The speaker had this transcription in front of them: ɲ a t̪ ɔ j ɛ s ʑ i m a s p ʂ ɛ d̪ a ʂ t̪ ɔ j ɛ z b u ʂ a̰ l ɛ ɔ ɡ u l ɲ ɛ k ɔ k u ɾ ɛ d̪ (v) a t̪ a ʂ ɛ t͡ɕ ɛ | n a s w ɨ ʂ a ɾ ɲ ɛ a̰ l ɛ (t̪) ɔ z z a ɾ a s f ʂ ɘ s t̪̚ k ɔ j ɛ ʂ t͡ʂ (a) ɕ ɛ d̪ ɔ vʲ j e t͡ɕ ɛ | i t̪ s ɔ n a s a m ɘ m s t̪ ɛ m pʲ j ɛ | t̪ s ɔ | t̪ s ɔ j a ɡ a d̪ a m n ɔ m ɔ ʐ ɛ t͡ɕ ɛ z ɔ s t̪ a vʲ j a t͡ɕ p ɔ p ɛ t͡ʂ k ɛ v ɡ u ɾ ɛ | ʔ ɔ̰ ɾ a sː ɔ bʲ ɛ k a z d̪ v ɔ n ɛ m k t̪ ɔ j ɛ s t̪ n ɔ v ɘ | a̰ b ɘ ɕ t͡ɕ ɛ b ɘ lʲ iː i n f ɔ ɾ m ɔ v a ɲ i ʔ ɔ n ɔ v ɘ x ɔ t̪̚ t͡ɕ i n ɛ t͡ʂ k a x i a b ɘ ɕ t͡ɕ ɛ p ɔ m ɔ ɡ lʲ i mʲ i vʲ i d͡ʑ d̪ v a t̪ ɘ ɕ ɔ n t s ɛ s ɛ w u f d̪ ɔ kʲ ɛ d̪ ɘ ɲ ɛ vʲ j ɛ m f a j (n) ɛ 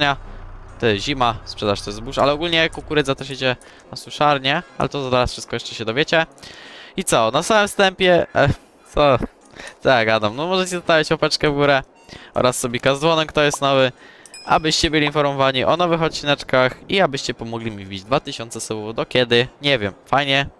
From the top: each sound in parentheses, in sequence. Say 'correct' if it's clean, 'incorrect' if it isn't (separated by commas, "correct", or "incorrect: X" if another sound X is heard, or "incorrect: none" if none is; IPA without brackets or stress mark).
incorrect: z, correct, incorrect: ɛ, incorrect: ɲ